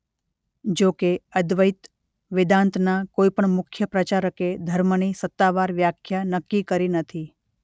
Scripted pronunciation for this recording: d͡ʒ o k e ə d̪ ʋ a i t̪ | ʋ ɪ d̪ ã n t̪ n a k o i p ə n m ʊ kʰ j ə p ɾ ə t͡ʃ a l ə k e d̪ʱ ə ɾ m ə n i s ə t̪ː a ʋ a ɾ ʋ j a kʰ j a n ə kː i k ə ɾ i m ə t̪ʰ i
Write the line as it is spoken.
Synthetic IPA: d͡ʒ o k e ə d̪ ʋ ə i t̪ | ʋ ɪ d̪ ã n t̪ n a k o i p ə ɳ m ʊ kʰ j ə p ɾ ə t͡ʃ a ɾ ə k e d̪ʱ ə ɾ m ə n i s ə t̪ː a ʋ a ɾ ʋ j a kʰ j a n ə kː i k ə ɾ i n ə t̪ʰ i